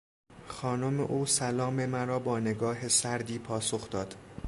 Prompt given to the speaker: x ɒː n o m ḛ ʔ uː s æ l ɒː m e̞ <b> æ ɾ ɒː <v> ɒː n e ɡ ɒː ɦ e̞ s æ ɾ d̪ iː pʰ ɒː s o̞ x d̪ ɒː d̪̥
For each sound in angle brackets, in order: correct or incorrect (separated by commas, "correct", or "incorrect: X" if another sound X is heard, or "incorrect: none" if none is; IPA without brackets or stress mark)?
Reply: incorrect: m, incorrect: b